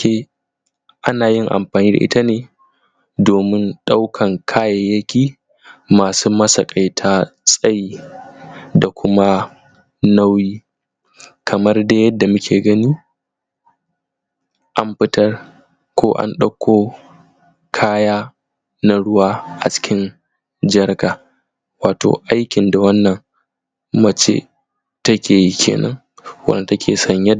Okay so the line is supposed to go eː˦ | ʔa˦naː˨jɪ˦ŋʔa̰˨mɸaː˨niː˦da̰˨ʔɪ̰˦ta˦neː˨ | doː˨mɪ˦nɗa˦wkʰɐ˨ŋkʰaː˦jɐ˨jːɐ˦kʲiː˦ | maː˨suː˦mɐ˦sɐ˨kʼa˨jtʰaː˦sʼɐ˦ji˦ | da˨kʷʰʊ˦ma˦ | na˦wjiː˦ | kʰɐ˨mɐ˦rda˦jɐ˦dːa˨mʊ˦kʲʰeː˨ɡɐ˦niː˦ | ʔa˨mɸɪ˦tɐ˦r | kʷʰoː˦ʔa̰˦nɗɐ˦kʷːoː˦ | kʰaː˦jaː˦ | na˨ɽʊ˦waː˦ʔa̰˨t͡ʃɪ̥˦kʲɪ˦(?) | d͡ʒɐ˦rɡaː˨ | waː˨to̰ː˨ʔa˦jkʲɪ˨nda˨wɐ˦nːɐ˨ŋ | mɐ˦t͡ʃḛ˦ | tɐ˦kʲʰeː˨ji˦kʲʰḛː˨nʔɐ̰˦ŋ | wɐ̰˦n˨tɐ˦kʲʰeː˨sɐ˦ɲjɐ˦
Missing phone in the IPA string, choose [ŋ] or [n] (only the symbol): n